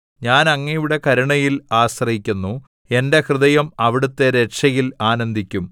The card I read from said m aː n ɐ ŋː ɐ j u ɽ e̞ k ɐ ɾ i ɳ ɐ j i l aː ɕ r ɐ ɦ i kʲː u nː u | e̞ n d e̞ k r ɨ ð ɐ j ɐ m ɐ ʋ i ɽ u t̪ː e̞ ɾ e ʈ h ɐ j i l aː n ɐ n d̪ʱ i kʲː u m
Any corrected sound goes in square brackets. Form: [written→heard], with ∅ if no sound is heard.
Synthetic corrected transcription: [m→ɲ] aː n ɐ ŋː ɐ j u ɽ e̞ k ɐ ɾ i ɳ ɐ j i l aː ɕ r ɐ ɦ i kʲː u nː u | e̞ n d e̞ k r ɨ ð ɐ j ɐ m ɐ ʋ i ɽ u t̪ː e̞ ɾ e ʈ [h→ʂ] ɐ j i l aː n ɐ n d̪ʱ i kʲː u m

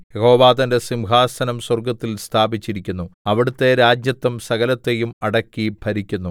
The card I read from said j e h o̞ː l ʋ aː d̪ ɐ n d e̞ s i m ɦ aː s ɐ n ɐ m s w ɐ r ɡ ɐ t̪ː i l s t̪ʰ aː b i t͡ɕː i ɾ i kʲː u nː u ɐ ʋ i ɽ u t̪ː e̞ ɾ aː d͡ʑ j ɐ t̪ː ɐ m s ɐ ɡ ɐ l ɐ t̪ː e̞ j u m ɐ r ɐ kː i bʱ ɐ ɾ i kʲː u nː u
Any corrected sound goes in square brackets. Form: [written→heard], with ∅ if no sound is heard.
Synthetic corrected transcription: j e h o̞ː [l→∅] ʋ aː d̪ ɐ n d e̞ s i m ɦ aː s ɐ n ɐ m s w ɐ r ɡ ɐ t̪ː i l s t̪ʰ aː b i t͡ɕː i ɾ i kʲː u nː u ɐ ʋ i ɽ u t̪ː e̞ ɾ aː d͡ʑ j ɐ t̪ː ɐ m s ɐ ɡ ɐ l ɐ t̪ː e̞ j u m ɐ [r→ɽ] ɐ kː i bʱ ɐ ɾ i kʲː u nː u

